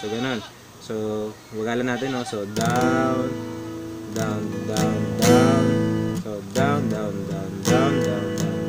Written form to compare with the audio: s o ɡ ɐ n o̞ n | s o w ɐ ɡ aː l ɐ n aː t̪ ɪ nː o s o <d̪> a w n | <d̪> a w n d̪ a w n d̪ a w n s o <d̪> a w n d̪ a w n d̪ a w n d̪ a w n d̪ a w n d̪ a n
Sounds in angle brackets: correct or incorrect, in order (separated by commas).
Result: correct, correct, correct